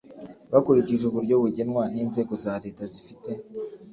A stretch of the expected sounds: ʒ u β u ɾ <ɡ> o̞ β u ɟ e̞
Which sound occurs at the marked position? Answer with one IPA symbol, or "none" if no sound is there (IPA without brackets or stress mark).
ɟ